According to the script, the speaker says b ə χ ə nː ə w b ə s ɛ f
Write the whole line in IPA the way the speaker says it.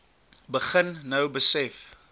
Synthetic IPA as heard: b ə χ ə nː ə w b ə s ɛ f